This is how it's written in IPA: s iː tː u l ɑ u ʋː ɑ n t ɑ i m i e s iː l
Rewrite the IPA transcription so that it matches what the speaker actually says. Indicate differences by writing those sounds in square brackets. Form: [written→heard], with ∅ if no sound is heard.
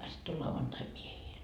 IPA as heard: s [iː→i] tː [u→o] l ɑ u [ʋː→ʋ] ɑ n t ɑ i m i e [s→h] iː l